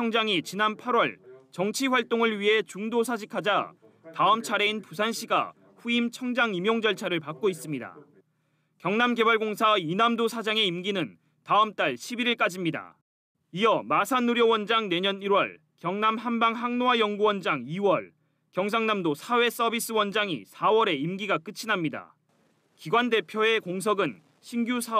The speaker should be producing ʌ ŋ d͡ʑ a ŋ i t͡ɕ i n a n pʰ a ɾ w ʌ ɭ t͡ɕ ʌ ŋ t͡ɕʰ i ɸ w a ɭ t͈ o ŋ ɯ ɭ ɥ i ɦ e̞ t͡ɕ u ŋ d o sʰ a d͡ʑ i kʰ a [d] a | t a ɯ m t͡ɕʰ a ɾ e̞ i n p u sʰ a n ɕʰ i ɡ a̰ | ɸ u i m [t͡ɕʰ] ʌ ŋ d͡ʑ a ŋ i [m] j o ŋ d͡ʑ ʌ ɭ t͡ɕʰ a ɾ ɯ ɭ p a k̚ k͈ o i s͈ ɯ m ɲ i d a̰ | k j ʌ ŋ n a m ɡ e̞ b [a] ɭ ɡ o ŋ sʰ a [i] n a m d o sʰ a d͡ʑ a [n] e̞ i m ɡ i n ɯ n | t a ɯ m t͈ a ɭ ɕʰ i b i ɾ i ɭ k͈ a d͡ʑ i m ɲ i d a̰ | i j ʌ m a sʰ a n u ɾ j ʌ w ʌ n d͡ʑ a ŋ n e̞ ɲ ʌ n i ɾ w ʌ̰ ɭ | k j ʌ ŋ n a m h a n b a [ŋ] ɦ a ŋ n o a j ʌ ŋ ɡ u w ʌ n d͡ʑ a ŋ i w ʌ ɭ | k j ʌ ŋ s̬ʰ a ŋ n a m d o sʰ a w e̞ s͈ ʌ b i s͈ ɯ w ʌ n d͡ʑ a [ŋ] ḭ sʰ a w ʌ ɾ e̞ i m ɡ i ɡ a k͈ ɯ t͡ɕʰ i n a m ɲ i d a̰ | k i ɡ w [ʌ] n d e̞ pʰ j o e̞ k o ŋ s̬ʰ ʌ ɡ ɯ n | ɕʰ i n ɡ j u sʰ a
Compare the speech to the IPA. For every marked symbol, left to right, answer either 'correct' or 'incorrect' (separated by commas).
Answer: incorrect, correct, correct, correct, correct, incorrect, correct, correct, incorrect